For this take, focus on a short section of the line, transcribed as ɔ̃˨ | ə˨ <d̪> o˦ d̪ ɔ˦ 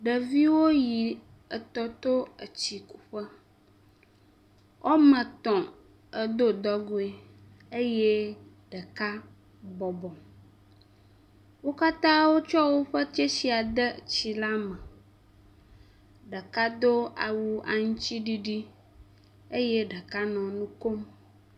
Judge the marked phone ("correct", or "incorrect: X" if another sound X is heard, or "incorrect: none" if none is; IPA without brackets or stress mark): correct